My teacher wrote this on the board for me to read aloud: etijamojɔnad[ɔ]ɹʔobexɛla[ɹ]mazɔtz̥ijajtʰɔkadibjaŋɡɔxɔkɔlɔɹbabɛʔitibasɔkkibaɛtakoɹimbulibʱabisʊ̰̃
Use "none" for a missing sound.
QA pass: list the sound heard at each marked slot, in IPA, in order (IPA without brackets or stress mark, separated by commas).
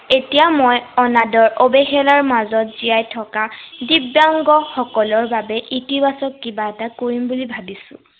ɔ, ɹ